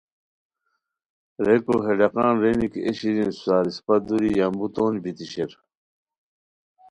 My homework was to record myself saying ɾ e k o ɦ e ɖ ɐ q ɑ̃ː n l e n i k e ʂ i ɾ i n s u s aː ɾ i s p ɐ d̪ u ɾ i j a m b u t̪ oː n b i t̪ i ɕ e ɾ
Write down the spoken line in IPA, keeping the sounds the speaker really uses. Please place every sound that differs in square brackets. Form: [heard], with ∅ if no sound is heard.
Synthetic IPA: ɾ e k o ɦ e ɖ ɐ q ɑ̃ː n [ɾ] e n i k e [ɕ] i ɾ i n s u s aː ɾ i s p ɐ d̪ u ɾ i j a m b u t̪ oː n b i t̪ i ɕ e ɾ

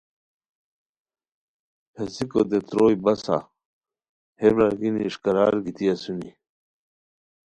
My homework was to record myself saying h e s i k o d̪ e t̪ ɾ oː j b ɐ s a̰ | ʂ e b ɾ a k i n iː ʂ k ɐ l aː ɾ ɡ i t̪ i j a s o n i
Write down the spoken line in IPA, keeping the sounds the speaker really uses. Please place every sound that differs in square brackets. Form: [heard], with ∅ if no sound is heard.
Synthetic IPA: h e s i k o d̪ e t̪ ɾ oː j b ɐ s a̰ | [h] e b ɾ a [ɡ] i n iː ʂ k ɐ [ɾ] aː ɾ ɡ i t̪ i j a s [u] n i

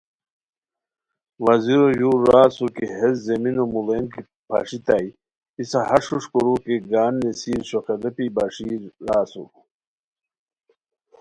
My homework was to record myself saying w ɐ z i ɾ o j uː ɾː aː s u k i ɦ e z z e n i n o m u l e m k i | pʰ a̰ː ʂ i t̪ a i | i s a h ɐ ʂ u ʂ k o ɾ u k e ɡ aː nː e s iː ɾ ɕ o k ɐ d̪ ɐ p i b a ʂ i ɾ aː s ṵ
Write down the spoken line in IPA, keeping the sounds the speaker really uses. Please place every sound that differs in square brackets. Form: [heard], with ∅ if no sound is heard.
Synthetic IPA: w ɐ z i ɾ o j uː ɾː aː s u k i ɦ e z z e [m] i n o m u l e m k i | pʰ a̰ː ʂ i t̪ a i | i s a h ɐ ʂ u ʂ k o ɾ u k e ɡ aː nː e s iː ɾ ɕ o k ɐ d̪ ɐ p i b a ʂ i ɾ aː s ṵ

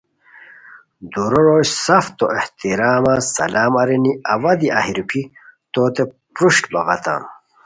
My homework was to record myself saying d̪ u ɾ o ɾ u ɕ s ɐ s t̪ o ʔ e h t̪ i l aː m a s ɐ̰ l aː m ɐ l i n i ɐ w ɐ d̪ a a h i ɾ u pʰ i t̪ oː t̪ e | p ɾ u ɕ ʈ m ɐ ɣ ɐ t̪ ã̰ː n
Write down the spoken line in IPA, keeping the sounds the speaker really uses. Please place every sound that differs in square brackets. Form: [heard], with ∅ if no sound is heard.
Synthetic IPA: d̪ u ɾ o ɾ [o] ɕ s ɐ [f] t̪ o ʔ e h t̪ i [ɾ] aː m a s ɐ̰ l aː m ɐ [ɾ] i n i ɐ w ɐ d̪ [i] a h i ɾ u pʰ i t̪ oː t̪ e | p ɾ u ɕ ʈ [b] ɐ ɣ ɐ t̪ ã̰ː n

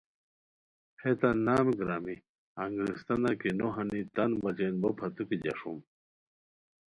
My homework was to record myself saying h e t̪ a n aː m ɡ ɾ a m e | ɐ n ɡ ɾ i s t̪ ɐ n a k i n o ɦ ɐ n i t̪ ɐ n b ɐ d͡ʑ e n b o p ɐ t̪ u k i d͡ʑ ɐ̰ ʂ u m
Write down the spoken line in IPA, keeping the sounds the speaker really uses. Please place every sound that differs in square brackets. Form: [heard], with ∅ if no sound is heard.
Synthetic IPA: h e t̪ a n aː m ɡ ɾ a m [i] | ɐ [ŋ] ɡ ɾ i s t̪ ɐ n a k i n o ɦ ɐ n i t̪ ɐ n b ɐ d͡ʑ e n b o [pʰ] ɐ t̪ u k i d͡ʑ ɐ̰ ʂ u m

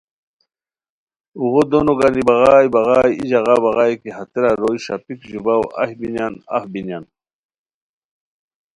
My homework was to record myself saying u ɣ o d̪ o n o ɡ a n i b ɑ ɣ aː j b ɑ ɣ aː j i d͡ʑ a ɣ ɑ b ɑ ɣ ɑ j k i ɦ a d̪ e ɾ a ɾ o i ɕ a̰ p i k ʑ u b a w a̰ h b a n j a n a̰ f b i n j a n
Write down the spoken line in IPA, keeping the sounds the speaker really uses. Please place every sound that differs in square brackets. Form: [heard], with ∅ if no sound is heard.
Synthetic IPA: u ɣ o d̪ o n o ɡ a n i b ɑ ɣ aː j b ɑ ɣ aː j i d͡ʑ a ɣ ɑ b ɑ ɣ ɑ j k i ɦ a [t̪] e ɾ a ɾ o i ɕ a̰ p i k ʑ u b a w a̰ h b [i] n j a n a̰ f b i n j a n

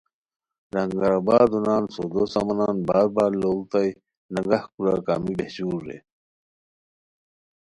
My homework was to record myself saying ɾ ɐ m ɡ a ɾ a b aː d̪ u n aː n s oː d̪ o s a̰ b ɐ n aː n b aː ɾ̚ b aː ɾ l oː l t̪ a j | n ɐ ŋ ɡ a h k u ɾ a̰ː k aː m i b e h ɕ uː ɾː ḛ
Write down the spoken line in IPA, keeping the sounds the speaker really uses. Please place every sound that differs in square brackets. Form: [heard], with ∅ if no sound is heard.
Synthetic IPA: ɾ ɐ [ŋ] ɡ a ɾ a b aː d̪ u n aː n s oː d̪ o s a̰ [m] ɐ n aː n b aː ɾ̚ b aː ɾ l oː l t̪ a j | n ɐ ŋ ɡ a h k u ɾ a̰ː k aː m i b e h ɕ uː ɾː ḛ

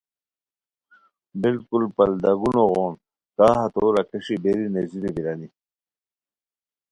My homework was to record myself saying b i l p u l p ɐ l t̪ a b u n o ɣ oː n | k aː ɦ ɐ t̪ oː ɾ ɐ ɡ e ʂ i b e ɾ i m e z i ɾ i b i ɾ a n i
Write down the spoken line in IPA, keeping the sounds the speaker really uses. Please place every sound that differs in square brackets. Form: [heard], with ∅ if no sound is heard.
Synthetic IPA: b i l [k] u l p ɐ l [d̪] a [ɡ] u n o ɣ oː n | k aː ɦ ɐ t̪ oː ɾ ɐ [k] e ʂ i b e ɾ i [n] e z i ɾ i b i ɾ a n i

